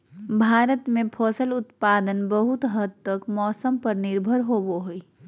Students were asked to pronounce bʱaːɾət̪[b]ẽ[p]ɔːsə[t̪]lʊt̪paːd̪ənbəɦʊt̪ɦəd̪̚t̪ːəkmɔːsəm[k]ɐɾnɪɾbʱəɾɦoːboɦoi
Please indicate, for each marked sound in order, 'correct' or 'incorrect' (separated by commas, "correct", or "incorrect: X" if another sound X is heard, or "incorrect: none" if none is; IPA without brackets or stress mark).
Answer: incorrect: m, incorrect: pʰ, incorrect: none, incorrect: p